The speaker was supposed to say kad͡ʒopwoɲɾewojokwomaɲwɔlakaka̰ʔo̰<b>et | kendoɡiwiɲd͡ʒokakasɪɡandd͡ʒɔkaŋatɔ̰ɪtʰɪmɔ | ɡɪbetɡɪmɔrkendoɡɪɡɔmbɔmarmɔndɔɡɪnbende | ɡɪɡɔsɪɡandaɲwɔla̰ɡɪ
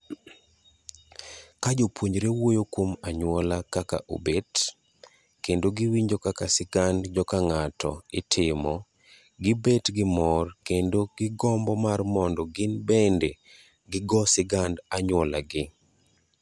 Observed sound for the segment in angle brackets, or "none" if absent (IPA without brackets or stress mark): b